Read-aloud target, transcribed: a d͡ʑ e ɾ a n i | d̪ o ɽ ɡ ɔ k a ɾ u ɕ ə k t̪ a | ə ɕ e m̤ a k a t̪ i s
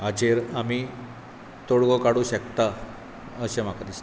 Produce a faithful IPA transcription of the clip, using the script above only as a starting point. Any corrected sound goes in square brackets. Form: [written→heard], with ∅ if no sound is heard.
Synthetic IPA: a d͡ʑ e ɾ a [n→m] i | [d̪→t̪] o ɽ ɡ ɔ k a [ɾ→ɽ] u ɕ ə k t̪ a | ə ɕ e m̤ a k a [t̪→d̪] i s

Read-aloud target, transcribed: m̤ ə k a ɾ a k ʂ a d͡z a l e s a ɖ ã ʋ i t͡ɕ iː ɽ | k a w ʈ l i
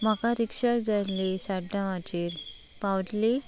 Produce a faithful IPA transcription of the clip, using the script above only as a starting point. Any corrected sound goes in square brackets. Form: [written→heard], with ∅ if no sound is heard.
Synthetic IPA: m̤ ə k a ɾ [a→i] k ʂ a d͡z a l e s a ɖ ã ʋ [i→a] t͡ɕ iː [ɽ→ɾ] | [k→p] a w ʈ l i

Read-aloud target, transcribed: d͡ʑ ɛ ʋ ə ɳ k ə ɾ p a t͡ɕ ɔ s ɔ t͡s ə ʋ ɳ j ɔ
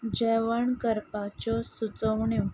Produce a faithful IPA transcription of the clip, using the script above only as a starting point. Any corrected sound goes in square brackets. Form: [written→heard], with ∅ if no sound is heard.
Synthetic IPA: d͡ʑ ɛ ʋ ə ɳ k ə ɾ p a t͡ɕ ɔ s [ɔ→u] t͡s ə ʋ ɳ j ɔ

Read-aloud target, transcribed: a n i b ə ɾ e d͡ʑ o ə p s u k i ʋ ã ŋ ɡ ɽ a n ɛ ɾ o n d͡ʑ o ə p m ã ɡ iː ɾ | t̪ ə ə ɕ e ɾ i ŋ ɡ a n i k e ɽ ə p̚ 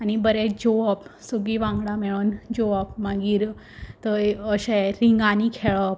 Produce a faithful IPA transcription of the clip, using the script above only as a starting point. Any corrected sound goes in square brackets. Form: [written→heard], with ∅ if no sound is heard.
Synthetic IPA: a n i b ə ɾ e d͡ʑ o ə p s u [k→ɡ] i ʋ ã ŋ ɡ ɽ a [n→m] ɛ [ɾ→ɭ] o n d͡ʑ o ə p m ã ɡ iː ɾ | t̪ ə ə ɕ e ɾ i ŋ ɡ a n i [k→kʰ] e [ɽ→ɭ] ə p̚

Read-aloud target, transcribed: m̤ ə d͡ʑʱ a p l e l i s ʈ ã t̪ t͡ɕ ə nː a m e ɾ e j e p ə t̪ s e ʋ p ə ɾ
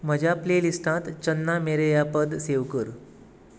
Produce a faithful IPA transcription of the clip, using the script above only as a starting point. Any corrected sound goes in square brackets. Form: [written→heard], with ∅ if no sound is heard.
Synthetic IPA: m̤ ə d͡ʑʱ a p l e l i s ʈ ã t̪ t͡ɕ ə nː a m e ɾ e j [e→a] p ə [t̪→d̪] s e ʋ [p→k] ə ɾ

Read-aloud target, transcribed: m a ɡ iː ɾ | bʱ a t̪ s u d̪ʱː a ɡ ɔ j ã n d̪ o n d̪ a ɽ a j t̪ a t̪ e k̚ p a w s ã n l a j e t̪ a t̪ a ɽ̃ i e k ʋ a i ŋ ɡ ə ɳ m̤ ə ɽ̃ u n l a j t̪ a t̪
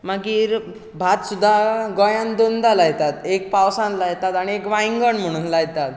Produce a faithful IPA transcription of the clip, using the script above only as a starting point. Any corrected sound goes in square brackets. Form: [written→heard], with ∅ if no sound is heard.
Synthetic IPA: m a ɡ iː ɾ | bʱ a t̪ s u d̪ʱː a ɡ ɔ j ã n d̪ o n d̪ a [ɽ→l] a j t̪ a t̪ e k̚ p a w s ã n l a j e t̪ a t̪ a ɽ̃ i e k ʋ a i ŋ ɡ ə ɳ m̤ ə ɽ̃ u n l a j t̪ a t̪

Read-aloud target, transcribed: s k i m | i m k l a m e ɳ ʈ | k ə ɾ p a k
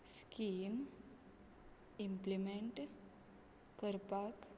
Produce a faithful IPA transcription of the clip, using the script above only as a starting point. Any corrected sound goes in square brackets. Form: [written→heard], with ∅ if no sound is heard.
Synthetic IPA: s k i m | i m [k→p] l [a→i] m e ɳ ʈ | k ə ɾ p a k

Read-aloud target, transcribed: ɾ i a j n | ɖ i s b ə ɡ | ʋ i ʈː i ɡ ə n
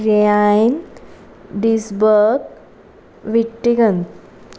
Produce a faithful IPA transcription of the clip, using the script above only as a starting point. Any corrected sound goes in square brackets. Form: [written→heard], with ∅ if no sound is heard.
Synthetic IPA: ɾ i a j n | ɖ i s b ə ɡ | ʋ i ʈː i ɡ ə n

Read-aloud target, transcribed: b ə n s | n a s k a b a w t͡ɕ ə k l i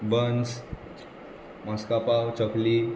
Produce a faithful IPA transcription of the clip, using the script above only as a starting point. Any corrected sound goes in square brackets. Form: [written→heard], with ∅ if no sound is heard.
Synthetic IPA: b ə n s | [n→m] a s k a [b→p] a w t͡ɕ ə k l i

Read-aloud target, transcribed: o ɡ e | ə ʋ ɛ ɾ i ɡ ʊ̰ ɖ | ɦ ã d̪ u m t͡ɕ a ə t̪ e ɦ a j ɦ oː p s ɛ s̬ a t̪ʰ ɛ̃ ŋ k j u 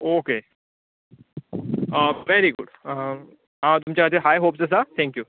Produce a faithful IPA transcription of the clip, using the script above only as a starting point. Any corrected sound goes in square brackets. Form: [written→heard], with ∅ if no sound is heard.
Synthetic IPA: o [ɡ→k] e | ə ʋ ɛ ɾ i ɡ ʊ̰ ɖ | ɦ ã [d̪→t̪] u m t͡ɕ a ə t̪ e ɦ a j ɦ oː p s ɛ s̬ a t̪ʰ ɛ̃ ŋ k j u

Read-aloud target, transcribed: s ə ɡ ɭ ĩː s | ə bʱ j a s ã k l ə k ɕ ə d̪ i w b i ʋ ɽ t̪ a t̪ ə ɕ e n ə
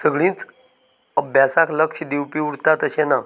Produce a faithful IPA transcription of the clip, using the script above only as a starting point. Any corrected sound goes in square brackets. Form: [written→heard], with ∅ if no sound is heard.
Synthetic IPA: s ə ɡ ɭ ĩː [s→t͡s] | ə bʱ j a s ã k l ə k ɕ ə d̪ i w [b→p] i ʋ ɽ t̪ a t̪ ə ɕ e n [ə→a]

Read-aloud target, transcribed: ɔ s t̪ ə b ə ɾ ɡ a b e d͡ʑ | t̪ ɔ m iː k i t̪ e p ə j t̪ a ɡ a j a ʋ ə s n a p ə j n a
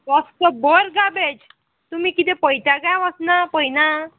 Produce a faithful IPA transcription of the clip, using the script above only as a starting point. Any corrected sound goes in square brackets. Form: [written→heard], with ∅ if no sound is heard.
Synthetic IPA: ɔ s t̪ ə b ə ɾ ɡ a b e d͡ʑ | t̪ [ɔ→u] m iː k i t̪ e p ə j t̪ a ɡ a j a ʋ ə s n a p ə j n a

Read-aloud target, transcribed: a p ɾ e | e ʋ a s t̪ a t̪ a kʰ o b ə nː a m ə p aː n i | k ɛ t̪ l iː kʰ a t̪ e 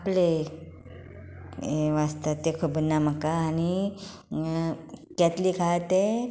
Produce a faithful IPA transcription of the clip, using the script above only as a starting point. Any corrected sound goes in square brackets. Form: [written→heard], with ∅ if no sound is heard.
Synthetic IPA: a p [ɾ→l] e | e ʋ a s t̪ a t̪ [a→e] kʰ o b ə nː a m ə [p→k] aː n i | k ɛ t̪ l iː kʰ a t̪ e

